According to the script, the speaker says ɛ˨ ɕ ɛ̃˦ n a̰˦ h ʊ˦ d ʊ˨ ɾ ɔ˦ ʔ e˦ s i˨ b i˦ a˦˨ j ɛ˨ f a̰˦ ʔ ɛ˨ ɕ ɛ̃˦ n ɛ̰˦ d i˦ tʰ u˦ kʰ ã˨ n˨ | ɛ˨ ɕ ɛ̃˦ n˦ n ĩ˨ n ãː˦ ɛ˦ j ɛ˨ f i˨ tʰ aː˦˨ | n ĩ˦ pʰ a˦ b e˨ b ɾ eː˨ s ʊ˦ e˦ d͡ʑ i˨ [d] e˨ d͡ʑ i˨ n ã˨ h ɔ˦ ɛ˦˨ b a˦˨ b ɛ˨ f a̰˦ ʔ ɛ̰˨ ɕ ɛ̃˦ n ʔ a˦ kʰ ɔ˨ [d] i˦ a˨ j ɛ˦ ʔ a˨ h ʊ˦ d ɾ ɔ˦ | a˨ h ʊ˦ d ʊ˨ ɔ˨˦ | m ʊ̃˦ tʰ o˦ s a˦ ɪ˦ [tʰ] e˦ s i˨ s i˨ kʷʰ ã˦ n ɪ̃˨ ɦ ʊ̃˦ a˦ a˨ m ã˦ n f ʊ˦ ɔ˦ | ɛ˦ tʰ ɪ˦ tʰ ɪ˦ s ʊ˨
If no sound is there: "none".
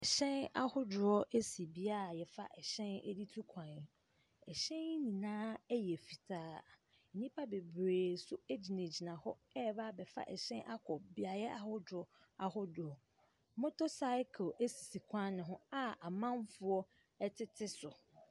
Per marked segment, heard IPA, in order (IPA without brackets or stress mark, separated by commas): n, b, kʰ